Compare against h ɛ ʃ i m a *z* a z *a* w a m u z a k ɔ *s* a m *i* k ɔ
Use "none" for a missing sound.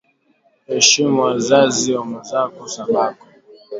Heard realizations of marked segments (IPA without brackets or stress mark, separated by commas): z, i, s, a